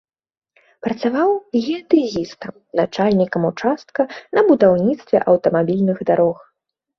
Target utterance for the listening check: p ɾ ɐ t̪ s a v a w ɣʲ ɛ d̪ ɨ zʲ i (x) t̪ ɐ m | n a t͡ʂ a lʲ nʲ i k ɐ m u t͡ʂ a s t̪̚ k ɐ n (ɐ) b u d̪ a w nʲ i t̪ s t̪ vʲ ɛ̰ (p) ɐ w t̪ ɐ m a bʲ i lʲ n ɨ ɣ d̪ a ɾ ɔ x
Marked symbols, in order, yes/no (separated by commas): no, yes, no